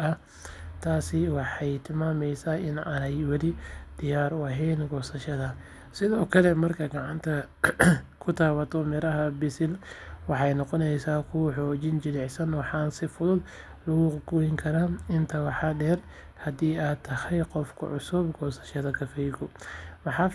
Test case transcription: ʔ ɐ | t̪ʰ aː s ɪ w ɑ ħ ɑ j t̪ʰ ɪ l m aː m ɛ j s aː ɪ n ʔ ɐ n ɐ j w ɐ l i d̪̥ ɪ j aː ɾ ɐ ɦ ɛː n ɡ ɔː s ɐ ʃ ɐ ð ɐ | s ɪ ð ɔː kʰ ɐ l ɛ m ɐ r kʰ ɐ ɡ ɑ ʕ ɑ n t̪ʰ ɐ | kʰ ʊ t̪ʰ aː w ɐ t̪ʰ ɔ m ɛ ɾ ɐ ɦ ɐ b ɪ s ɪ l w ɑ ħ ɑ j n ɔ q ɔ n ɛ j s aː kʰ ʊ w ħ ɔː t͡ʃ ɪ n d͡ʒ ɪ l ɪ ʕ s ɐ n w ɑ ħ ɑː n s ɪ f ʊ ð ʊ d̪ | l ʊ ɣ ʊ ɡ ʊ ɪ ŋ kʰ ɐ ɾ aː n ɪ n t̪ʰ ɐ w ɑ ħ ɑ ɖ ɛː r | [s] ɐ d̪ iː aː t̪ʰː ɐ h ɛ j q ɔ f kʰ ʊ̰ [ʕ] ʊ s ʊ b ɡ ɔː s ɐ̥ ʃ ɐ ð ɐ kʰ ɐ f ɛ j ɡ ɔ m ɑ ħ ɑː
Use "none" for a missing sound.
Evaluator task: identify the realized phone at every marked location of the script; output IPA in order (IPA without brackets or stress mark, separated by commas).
h, ʕ